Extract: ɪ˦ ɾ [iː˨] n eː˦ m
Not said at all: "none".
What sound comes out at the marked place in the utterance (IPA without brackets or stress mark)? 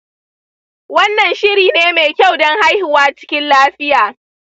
iː˨